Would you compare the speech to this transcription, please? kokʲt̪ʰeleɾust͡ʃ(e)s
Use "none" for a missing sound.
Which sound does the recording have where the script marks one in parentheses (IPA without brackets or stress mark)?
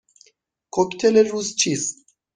i